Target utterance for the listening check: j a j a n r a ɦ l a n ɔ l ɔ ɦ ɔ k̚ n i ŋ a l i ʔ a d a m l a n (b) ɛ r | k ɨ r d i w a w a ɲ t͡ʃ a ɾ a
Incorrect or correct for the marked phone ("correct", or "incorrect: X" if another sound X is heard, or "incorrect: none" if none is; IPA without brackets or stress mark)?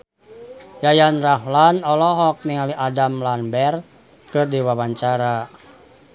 correct